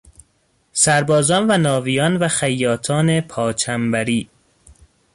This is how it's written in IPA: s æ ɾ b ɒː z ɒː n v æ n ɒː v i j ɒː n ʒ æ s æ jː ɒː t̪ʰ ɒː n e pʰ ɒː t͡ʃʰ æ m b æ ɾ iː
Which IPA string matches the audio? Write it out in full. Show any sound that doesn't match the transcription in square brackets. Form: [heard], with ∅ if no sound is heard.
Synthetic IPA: s æ ɾ b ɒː z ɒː n v æ n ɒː v i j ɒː n [v] æ [x] æ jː ɒː t̪ʰ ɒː n e pʰ ɒː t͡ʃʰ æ m b æ ɾ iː